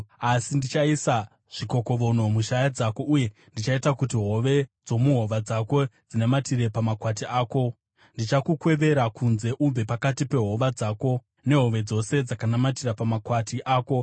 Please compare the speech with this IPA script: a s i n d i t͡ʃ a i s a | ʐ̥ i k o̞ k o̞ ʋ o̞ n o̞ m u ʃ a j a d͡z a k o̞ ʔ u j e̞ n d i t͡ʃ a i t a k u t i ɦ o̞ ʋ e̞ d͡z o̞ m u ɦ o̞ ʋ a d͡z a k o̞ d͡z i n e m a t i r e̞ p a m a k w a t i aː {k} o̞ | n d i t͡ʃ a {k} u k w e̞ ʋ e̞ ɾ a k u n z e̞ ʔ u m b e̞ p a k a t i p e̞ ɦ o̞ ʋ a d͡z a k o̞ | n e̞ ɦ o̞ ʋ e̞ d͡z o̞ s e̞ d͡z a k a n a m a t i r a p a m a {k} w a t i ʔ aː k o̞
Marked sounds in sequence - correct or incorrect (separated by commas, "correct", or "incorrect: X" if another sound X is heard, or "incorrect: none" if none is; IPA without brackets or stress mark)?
correct, correct, correct